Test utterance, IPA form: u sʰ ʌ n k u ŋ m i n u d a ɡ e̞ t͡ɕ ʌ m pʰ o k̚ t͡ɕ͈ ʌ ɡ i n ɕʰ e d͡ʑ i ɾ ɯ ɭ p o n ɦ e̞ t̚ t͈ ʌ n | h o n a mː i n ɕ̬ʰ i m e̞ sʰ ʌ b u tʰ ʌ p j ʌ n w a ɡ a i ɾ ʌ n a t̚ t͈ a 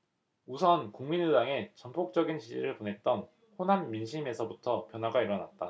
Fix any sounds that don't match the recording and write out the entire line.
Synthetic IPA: u sʰ ʌ n k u ŋ m i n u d a ŋ e̞ t͡ɕ ʌ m pʰ o k̚ t͡ɕ͈ ʌ ɡ i n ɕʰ i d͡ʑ i ɾ ɯ ɭ p o n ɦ e̞ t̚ t͈ ʌ n | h o n a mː i n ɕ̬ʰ i m e̞ sʰ ʌ b u tʰ ʌ p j ʌ n w a ɡ a i ɾ ʌ n a t̚ t͈ a

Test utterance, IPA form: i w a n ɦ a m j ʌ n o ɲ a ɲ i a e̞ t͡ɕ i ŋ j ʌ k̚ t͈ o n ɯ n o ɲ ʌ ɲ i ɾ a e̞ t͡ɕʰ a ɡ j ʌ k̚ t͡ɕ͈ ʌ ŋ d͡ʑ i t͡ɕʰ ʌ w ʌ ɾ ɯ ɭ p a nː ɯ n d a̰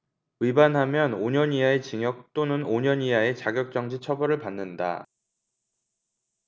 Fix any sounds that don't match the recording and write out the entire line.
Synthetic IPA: i b a n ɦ a m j ʌ n o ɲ ʌ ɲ i a e̞ t͡ɕ i ŋ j ʌ k̚ t͈ o n ɯ n o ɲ ʌ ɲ i a e̞ t͡ɕ a ɡ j ʌ k̚ t͡ɕ͈ ʌ ŋ d͡ʑ i t͡ɕʰ ʌ b ʌ ɾ ɯ ɭ p a nː ɯ n d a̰

